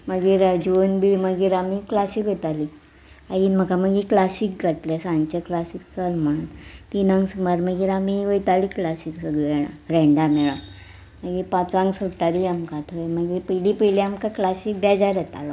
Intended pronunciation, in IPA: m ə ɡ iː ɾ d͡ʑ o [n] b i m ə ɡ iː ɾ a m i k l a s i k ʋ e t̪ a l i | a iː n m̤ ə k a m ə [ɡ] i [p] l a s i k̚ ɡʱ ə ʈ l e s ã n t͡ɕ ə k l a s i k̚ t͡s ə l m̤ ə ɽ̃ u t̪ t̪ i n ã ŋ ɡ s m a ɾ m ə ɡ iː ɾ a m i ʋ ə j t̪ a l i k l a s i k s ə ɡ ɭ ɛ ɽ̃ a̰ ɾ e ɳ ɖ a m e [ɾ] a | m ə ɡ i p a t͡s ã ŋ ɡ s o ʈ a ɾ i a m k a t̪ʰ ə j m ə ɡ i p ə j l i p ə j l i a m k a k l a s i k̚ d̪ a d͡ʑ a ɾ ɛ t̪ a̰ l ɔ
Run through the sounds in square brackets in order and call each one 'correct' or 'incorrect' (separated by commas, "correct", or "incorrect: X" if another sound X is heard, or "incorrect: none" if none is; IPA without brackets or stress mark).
correct, correct, incorrect: k, incorrect: ɭ